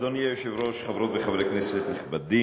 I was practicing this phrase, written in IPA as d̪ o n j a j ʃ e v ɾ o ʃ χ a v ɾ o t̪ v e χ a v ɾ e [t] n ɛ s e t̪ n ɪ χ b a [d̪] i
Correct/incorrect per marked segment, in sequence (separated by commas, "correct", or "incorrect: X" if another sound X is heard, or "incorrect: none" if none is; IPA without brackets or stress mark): incorrect: k, correct